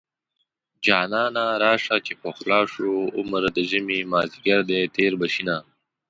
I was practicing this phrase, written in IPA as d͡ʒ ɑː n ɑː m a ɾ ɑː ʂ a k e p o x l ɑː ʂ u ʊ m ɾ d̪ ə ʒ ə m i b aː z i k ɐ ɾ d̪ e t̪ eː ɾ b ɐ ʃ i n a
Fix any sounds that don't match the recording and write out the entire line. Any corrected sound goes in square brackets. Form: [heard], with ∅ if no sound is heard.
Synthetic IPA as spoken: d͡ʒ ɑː n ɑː [n] a ɾ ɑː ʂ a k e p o x l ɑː ʂ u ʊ m ɾ d̪ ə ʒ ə m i [m] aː z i [ɡ] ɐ ɾ d̪ e t̪ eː ɾ b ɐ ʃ i n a